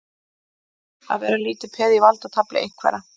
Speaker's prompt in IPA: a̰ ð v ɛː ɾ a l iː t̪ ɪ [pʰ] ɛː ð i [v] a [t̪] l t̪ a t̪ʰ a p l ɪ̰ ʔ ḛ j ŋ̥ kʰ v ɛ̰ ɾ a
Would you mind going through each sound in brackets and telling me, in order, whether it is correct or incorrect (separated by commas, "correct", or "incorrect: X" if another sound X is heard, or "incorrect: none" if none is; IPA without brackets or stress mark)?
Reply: correct, correct, incorrect: none